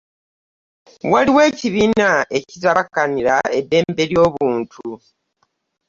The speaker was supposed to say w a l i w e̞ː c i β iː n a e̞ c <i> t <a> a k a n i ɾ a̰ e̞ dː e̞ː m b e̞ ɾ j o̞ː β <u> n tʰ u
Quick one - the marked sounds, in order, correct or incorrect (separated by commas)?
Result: correct, correct, incorrect